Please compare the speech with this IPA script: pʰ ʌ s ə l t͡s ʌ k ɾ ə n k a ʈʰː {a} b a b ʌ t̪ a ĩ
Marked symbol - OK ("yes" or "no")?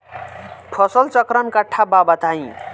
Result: yes